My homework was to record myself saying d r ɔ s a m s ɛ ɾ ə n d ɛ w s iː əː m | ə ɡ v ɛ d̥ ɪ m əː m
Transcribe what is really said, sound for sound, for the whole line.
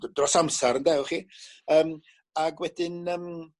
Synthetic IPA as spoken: d r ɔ s a m s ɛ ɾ ə n d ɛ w χ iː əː m | a ɡ w ɛ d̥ ɪ n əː m